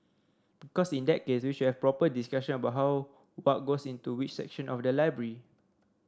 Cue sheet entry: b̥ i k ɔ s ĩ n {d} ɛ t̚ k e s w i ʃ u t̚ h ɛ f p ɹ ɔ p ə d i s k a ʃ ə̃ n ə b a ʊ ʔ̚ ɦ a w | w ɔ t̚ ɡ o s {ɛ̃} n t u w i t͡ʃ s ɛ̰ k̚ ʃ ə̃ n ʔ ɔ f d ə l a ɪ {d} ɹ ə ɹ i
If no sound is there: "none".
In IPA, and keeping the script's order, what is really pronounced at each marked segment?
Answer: d, ĩ, b

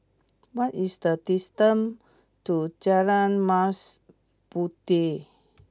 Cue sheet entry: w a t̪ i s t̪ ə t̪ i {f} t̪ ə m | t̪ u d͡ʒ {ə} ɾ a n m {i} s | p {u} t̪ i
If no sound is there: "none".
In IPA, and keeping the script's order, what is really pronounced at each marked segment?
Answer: s, a, a, u

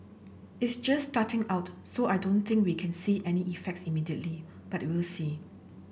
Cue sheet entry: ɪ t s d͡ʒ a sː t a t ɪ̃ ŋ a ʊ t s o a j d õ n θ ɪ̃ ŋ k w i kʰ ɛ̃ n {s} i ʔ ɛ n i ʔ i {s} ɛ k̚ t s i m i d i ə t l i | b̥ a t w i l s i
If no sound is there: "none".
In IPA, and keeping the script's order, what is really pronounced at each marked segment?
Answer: s, f

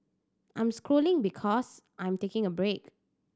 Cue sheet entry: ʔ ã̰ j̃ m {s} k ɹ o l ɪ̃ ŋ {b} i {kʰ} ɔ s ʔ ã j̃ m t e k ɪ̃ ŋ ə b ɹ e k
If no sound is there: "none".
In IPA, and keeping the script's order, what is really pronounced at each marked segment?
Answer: s, b, kʰ

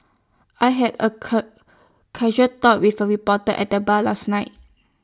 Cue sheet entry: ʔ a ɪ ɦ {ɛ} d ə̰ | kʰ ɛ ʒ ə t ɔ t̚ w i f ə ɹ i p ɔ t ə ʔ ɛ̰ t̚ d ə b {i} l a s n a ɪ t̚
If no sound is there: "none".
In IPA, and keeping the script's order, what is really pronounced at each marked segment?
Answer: ɛ, a

